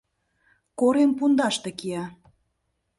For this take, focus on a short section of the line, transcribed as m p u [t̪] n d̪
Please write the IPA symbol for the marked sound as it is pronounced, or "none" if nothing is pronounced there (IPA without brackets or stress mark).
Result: none